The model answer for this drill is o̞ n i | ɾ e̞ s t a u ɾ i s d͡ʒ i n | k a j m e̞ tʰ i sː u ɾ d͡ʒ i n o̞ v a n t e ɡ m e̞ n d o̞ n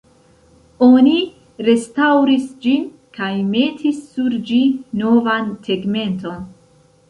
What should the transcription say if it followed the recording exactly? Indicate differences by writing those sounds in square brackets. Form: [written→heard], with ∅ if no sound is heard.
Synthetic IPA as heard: o̞ n i | ɾ e̞ s t a [u→w] ɾ i s d͡ʒ i n | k a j m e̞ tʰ i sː u ɾ d͡ʒ i n o̞ v a n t e ɡ m e̞ n [d→t] o̞ n